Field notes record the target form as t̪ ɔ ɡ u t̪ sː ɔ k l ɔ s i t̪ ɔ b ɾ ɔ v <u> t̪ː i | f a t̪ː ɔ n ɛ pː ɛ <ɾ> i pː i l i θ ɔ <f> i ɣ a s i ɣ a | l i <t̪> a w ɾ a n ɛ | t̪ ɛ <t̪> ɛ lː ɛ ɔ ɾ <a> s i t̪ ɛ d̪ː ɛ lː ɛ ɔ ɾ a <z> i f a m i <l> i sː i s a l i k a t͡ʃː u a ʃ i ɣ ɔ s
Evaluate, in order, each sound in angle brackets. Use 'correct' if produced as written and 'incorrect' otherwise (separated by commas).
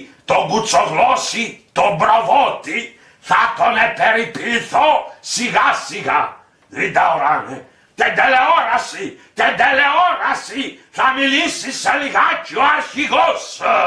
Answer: incorrect, correct, incorrect, incorrect, incorrect, correct, incorrect, correct